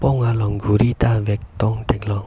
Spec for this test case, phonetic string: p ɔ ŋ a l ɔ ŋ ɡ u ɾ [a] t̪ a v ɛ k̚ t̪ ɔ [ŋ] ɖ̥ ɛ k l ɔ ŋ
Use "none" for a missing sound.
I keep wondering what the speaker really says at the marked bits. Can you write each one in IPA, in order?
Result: i, ŋ

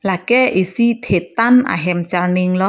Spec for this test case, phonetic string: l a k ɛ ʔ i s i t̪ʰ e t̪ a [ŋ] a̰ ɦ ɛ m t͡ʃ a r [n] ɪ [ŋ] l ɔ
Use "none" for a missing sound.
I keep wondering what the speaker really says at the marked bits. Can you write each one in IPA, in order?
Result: n, n, ŋ

